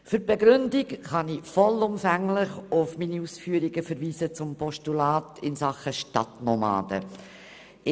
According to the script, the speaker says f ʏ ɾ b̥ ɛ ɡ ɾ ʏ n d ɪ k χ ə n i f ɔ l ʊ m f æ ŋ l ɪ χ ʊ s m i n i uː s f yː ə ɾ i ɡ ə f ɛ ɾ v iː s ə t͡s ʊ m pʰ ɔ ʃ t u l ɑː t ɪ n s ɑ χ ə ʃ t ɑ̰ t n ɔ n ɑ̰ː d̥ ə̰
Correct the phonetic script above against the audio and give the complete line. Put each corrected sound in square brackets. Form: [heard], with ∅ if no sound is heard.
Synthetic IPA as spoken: f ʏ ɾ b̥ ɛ ɡ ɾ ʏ n d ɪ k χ [ɑ] n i f ɔ l ʊ m f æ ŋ l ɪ χ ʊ [f] m i n i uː s f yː ə ɾ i ɡ ə f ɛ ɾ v iː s ə t͡s ʊ m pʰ ɔ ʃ t u l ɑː t ɪ n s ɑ χ ə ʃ t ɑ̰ t n ɔ [m] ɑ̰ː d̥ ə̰